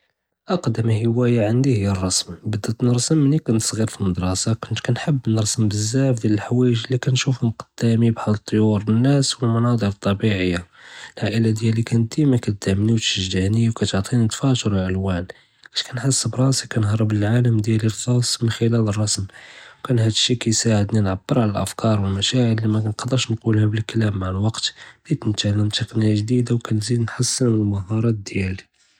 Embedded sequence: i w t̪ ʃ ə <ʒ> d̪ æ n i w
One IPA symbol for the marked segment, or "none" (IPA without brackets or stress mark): ʒ